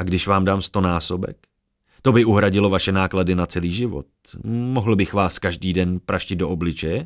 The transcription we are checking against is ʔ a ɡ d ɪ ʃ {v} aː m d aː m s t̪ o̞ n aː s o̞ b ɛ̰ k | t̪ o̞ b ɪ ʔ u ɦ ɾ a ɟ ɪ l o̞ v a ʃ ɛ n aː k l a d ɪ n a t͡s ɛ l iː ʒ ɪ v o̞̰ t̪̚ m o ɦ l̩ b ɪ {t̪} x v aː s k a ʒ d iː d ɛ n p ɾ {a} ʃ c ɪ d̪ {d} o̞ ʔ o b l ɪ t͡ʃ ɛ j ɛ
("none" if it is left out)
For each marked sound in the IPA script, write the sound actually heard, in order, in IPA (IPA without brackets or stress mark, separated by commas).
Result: v, none, a, d